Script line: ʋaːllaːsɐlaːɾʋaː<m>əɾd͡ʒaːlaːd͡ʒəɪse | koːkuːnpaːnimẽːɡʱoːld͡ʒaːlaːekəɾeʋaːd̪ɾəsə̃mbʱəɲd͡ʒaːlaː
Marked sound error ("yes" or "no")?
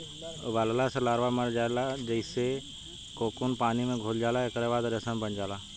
no